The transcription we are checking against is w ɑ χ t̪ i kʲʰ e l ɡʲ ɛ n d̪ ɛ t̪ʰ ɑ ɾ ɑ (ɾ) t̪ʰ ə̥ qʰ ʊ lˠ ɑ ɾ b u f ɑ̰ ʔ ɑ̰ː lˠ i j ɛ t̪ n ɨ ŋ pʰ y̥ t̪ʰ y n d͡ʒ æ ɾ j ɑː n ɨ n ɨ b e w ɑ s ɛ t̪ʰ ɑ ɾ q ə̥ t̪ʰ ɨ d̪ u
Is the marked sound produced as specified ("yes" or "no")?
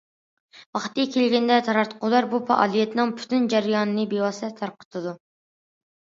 yes